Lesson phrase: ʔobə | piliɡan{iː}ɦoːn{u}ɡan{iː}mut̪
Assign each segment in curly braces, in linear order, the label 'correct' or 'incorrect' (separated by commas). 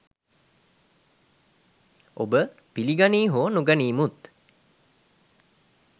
correct, correct, correct